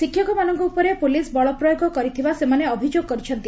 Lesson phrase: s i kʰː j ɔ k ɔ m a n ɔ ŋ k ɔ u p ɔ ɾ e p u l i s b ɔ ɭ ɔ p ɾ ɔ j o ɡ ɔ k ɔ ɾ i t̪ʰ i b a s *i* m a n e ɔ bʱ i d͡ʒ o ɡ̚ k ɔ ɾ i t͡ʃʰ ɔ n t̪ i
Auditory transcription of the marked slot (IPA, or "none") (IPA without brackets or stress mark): e